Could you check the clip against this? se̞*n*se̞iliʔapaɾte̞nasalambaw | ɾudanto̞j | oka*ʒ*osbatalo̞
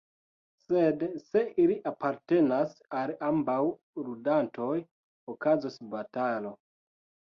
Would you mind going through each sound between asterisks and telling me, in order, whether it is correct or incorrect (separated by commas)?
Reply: incorrect, incorrect